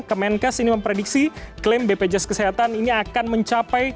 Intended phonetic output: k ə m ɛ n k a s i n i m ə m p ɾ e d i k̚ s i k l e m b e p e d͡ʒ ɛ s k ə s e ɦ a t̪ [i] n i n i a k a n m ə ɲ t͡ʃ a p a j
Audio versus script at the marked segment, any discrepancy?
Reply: yes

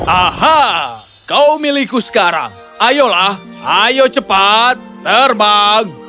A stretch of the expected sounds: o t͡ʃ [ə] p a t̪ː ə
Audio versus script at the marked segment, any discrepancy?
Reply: no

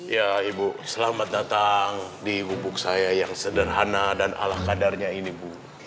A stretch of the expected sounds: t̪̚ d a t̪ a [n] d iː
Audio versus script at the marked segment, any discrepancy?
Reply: yes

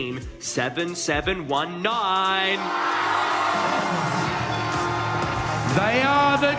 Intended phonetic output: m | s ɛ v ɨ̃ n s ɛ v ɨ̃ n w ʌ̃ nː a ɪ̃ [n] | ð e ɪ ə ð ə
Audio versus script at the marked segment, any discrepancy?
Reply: no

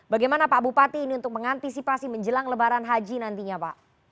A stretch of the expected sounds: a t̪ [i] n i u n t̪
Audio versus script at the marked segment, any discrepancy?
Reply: yes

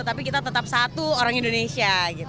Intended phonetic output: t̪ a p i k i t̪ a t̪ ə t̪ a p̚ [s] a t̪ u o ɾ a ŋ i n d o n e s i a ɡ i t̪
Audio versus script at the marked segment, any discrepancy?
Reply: no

